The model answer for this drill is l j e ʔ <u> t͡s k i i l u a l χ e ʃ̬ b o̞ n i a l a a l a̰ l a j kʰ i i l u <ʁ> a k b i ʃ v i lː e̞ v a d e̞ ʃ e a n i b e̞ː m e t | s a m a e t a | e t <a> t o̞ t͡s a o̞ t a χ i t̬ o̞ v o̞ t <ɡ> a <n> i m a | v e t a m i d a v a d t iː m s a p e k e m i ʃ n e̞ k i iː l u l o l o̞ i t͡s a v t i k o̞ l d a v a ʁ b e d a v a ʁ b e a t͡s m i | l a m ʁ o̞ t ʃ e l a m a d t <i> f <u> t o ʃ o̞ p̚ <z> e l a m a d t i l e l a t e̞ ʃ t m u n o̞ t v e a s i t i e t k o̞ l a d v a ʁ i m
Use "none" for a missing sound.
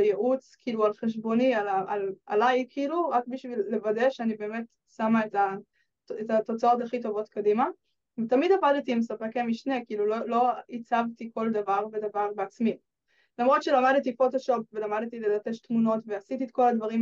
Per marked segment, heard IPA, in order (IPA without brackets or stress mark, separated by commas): u, ʁ, a, k, d, i, o, v